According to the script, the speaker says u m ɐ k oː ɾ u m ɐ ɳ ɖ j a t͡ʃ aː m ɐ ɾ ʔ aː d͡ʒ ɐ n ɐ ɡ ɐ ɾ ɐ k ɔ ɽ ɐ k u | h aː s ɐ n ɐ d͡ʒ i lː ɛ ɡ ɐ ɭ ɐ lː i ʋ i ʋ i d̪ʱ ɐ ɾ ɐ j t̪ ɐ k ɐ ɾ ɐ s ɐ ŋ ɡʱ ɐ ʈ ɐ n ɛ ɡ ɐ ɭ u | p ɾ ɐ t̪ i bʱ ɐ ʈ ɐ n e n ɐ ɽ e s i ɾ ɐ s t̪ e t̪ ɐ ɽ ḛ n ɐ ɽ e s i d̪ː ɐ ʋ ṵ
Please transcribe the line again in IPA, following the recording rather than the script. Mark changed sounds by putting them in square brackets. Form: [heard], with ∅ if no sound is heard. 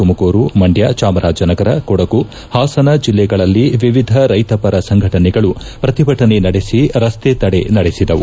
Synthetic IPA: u m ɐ k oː ɾ u m ɐ ɳ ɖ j a t͡ʃ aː m ɐ ɾ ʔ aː d͡ʒ ɐ n ɐ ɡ ɐ ɾ ɐ k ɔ ɽ ɐ k u | h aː s ɐ n ɐ d͡ʒ i lː ɛ ɡ ɐ ɭ ɐ lː i ʋ i ʋ i d̪ʱ ɐ ɾ ɐ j t̪ ɐ [p] ɐ ɾ ɐ s ɐ ŋ ɡʱ ɐ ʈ ɐ n ɛ ɡ ɐ ɭ u | p ɾ ɐ t̪ i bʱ ɐ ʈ ɐ n e n ɐ ɽ e s i ɾ ɐ s t̪ e t̪ ɐ ɽ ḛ n ɐ ɽ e s i [d̪] ɐ ʋ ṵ